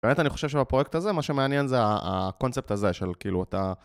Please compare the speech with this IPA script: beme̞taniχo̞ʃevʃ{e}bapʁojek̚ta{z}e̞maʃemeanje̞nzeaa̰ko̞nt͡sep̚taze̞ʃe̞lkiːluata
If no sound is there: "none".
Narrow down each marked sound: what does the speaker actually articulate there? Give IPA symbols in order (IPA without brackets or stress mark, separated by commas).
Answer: e, z